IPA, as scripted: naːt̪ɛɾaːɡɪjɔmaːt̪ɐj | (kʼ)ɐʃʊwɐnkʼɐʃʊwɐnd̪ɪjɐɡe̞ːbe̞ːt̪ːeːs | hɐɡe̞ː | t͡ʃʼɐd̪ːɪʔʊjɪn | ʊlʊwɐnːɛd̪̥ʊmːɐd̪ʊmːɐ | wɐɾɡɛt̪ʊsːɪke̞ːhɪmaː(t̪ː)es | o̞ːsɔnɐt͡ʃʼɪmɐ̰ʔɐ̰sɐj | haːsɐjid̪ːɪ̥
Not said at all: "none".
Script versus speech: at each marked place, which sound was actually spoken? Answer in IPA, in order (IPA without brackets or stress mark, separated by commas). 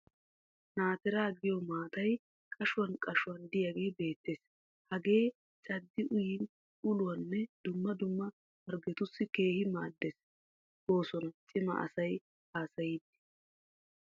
kʼ, d̪ː